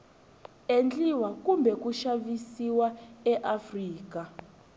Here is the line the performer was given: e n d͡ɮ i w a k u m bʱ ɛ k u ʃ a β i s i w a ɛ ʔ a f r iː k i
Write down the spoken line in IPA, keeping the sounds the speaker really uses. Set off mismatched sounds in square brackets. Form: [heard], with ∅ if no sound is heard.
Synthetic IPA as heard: e n d͡ɮ i w a k u m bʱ ɛ k u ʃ a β i s i w a ɛ ʔ a f r iː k [a]